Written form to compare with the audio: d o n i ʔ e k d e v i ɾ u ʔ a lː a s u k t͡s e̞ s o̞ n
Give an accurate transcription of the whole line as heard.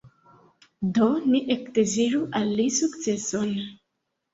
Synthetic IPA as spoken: d o n i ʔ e k d e z i ɾ u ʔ a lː i s u k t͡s e̞ s o̞ n